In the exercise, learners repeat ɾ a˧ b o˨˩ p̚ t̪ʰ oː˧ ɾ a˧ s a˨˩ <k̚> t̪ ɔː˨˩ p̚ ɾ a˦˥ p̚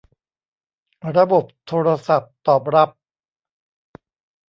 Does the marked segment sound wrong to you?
yes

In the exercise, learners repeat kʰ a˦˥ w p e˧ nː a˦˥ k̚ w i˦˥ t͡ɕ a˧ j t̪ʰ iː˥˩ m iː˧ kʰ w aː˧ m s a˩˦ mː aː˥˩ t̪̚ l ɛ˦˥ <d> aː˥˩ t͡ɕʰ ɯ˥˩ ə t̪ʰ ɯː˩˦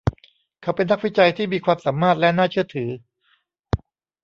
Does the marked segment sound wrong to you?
yes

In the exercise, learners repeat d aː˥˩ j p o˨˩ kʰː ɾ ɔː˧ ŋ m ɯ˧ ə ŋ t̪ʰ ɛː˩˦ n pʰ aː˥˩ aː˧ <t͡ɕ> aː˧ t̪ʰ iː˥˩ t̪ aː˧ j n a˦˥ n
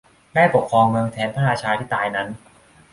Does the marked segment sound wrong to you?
yes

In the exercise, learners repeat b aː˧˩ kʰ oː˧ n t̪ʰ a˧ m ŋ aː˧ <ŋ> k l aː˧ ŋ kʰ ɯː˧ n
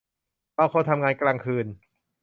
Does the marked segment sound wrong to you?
yes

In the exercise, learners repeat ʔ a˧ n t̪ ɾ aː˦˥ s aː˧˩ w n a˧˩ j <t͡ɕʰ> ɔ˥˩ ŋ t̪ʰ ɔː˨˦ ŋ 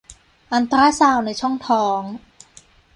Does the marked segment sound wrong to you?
no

